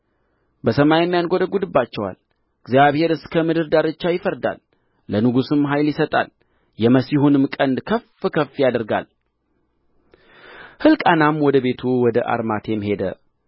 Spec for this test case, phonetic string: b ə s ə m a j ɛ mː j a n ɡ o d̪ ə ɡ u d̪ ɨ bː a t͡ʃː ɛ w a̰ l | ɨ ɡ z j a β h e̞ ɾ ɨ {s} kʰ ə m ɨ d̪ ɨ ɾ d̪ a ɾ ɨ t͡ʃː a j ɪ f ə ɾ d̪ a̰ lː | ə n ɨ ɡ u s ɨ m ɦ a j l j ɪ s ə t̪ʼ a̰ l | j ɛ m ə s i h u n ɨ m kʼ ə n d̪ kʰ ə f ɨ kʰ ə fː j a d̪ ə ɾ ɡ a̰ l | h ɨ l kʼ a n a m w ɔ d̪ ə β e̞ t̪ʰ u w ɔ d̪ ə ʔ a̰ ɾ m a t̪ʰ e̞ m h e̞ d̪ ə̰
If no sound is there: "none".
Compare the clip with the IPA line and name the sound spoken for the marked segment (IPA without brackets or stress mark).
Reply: s